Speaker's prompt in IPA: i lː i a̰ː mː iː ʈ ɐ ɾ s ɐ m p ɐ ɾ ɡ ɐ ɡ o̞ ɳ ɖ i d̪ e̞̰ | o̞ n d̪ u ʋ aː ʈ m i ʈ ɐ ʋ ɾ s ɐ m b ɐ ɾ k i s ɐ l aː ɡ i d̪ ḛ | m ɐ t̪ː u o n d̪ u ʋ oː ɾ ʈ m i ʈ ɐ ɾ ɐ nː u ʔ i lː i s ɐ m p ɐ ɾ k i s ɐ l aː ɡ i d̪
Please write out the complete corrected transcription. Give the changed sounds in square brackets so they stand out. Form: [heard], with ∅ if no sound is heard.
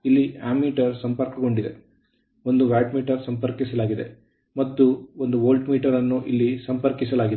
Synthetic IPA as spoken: i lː i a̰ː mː iː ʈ ɐ ɾ s ɐ m p ɐ ɾ [k] ɐ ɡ o̞ ɳ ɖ i d̪ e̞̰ | o̞ n d̪ u ʋ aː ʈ m [iː] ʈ ɐ [∅] ɾ s ɐ m [p] ɐ ɾ k i s ɐ l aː ɡ i d̪ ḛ | m ɐ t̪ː u o n d̪ u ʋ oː [l] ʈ m [iː] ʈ ɐ ɾ ɐ nː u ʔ i lː i s ɐ m p ɐ ɾ k i s ɐ l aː ɡ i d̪